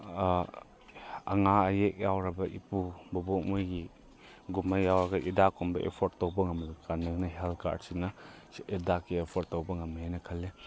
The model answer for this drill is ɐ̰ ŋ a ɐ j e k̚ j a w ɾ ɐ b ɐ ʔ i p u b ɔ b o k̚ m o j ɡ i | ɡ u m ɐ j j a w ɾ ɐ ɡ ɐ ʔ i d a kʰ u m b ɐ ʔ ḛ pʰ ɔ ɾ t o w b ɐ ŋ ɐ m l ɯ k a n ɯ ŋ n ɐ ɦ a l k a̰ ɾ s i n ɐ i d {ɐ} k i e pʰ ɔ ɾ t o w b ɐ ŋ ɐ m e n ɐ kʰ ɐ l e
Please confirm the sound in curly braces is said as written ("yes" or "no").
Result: no